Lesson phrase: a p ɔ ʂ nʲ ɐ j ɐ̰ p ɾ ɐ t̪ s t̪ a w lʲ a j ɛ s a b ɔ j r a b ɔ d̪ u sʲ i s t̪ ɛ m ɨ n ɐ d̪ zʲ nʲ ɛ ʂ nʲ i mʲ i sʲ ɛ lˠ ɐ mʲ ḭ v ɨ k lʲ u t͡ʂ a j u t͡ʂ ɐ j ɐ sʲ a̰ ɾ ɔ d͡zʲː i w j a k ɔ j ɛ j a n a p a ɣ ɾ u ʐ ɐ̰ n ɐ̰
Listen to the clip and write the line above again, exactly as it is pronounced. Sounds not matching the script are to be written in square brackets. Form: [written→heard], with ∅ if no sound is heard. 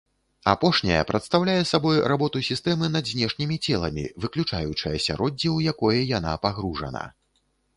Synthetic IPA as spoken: a p ɔ ʂ nʲ ɐ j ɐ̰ p ɾ ɐ t̪ s t̪ a w lʲ a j ɛ s a b ɔ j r a b ɔ [d̪→t̪] u sʲ i s t̪ ɛ m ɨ n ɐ d̪ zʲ nʲ ɛ ʂ nʲ i mʲ i [sʲ→t͡sʲ] ɛ lˠ ɐ mʲ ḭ v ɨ k lʲ u t͡ʂ a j u t͡ʂ ɐ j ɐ sʲ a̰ ɾ ɔ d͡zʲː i w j a k ɔ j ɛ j a n a p a ɣ ɾ u ʐ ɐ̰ n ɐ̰